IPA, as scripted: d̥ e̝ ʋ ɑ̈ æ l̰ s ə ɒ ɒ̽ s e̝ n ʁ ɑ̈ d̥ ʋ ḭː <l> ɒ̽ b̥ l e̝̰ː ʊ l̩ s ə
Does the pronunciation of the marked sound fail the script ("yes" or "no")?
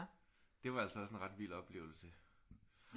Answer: no